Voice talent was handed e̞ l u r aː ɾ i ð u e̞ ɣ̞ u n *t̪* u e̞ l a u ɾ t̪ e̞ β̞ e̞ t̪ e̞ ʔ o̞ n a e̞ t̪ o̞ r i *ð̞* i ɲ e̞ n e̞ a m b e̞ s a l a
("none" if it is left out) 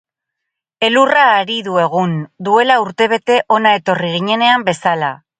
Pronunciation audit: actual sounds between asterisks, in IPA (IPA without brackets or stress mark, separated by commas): d̪, ɣ̞